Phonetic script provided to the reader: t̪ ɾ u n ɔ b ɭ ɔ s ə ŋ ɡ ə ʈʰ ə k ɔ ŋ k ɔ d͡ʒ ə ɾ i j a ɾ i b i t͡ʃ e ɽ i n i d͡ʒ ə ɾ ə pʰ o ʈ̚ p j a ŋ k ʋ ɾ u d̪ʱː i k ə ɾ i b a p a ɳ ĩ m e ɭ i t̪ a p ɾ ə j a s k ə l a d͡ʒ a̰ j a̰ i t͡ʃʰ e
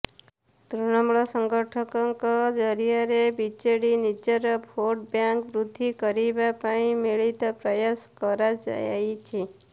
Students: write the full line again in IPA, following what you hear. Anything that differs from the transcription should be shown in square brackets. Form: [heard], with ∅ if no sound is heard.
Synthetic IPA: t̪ ɾ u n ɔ [m] ɭ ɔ s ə ŋ ɡ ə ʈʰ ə k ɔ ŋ k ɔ d͡ʒ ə ɾ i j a ɾ [e] b i t͡ʃ e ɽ i n i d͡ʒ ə ɾ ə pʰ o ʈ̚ [b] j a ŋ k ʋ ɾ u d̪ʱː i k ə ɾ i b a p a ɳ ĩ m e ɭ i t̪ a p ɾ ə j a s k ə [ɾ] a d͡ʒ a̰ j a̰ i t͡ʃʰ e